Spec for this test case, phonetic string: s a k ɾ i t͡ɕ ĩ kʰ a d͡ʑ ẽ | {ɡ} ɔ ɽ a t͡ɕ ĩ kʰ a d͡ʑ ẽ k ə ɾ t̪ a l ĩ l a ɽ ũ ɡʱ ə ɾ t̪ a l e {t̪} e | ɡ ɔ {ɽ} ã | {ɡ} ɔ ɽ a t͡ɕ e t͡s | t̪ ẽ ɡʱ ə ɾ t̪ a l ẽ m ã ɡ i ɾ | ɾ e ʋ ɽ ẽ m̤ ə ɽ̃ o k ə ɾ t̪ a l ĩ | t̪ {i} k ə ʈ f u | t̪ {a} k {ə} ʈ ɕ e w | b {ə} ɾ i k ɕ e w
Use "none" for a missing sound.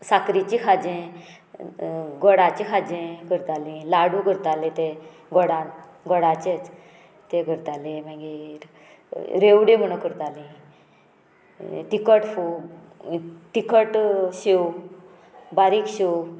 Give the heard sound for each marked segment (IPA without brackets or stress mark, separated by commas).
ɡ, t̪, ɽ, ɡ, i, i, ə, a